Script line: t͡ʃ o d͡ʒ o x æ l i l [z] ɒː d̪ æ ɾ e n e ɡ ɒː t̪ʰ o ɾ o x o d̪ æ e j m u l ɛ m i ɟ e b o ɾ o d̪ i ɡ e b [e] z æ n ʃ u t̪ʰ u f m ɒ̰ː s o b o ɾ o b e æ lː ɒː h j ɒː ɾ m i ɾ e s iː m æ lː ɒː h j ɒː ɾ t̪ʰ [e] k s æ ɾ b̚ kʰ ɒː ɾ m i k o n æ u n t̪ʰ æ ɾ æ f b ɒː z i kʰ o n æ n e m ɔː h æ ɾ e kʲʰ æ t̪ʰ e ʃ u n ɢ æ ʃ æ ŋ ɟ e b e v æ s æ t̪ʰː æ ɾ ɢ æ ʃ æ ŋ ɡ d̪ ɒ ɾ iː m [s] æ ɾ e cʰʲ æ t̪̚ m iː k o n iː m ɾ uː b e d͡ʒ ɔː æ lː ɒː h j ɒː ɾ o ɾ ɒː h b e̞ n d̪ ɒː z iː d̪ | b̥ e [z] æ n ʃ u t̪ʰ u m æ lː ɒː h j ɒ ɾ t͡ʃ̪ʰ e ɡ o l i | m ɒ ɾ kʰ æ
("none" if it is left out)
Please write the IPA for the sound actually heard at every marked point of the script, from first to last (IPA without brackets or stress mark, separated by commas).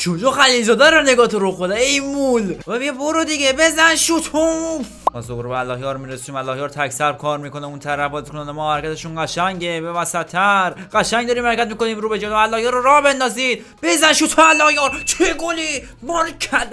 z, e, æ, h, z